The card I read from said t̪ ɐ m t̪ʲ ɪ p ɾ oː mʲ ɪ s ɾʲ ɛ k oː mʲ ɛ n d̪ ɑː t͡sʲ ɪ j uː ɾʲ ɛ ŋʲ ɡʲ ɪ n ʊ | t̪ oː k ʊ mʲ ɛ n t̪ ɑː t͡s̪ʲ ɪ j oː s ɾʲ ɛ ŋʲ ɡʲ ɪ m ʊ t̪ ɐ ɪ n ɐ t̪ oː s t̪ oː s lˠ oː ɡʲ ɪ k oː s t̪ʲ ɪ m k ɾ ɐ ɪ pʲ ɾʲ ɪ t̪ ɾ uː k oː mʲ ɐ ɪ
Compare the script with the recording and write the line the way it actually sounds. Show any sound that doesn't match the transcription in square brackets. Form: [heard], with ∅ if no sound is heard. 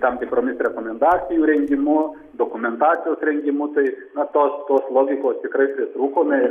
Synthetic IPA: t̪ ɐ m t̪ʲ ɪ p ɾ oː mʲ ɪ s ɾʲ ɛ k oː mʲ ɛ n d̪ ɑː t͡sʲ ɪ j uː ɾʲ ɛ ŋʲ ɡʲ ɪ [m] ʊ | [d̪] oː k ʊ mʲ ɛ n t̪ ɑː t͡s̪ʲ ɪ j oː s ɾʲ ɛ ŋʲ ɡʲ ɪ m ʊ t̪ ɐ ɪ n ɐ t̪ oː s t̪ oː s lˠ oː ɡʲ ɪ k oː s t̪ʲ ɪ [∅] k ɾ ɐ ɪ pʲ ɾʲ ɪ t̪ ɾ uː k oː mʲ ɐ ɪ